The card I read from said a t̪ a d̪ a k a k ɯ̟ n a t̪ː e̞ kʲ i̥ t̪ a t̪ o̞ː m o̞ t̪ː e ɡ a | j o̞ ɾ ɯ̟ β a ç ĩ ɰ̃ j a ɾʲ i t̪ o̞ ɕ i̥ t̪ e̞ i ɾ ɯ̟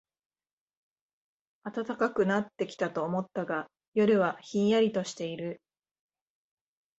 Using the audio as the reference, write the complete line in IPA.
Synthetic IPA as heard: a t̪ a t̪ a k a k ɯ̟ n a t̪ː e̞ kʲ i̥ t̪ a t̪ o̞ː m o̞ t̪ː a ɡ a | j o̞ ɾ ɯ̟ β a ç ĩ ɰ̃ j a ɾʲ i t̪ o̞ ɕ i̥ t̪ e̞ i ɾ ɯ̟